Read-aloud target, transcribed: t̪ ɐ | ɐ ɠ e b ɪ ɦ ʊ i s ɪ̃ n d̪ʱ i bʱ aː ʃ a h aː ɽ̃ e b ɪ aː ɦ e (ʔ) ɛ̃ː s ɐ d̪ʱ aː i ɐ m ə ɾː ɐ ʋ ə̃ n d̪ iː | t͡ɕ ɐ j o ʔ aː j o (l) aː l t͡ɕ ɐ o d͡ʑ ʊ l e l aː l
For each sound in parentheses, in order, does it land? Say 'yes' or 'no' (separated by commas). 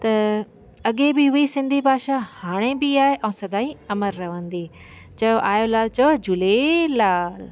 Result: yes, yes